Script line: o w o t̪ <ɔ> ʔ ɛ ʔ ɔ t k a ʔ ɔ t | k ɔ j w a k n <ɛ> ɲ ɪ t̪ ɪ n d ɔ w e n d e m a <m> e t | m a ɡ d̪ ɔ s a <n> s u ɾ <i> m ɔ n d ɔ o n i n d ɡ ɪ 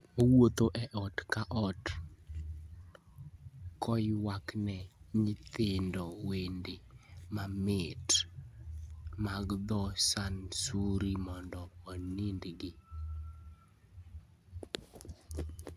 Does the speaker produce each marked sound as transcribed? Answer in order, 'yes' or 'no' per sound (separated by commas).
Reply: no, yes, yes, yes, yes